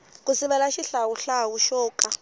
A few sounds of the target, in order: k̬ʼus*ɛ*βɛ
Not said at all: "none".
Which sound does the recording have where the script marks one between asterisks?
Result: i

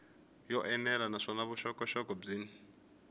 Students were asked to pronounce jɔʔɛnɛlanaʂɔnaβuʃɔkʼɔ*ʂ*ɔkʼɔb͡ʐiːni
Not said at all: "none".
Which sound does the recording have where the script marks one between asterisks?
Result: ʃ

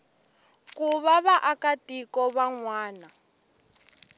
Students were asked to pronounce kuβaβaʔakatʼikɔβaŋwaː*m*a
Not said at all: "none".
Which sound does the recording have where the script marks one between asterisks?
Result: n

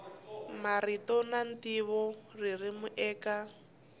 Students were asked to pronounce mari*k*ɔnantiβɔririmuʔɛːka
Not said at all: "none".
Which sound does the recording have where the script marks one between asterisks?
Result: t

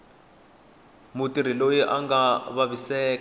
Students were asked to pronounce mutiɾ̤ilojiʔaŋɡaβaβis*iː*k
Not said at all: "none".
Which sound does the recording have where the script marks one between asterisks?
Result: ɛː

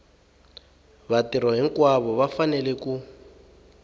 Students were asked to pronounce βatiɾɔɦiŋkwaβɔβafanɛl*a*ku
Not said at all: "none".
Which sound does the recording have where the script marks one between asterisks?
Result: ɛ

